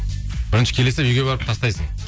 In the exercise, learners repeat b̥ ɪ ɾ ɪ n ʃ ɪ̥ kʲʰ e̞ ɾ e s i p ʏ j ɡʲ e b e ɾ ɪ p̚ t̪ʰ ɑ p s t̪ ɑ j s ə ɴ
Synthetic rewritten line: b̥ ɪ ɾ ɪ n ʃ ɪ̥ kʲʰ e̞ l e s ɪ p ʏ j ɡʲ e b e ɾ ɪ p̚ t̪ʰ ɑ s t̪ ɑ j s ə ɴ